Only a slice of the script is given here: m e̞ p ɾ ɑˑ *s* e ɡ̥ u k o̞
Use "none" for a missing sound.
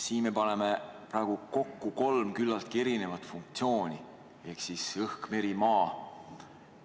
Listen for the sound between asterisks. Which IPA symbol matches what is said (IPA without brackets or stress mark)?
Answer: none